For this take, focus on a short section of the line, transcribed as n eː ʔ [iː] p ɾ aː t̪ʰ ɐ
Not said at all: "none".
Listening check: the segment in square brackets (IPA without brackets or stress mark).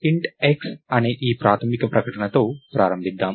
iː